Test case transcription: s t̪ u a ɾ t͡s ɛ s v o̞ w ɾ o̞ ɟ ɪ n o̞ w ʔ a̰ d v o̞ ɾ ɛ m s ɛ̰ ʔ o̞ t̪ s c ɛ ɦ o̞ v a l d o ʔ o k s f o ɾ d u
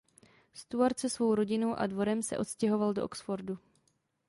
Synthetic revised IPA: s t̪ u a ɾ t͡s ɛ s v o̞ w ɾ o̞ ɟ ɪ n o̞ w ʔ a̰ d v o̞ ɾ ɛ m s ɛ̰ ʔ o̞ t̪ s c ɛ ɦ o̞ v a l d o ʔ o k s f o ɾ d u